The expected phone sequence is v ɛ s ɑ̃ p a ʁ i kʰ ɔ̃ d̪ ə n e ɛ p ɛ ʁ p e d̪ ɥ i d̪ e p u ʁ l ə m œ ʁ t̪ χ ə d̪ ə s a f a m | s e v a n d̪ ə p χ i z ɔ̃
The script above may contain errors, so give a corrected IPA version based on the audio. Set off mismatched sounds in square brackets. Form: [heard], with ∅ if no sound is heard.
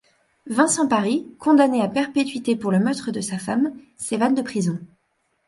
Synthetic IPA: v [ɛ̃] s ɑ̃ p a ʁ i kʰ ɔ̃ d̪ [a] n e [a] p ɛ ʁ p e [t̪] ɥ i [t̪] e p u ʁ l ə m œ ʁ t̪ χ ə d̪ ə s a f a m | s e v a n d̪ ə p χ i z ɔ̃